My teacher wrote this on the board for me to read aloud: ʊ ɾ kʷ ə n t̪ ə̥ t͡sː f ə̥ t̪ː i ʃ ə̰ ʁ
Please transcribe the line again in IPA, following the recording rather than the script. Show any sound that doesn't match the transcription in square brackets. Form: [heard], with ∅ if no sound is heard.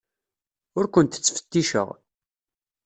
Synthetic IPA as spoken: ʊ ɾ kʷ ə n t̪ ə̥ t͡sː f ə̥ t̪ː i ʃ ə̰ ʁ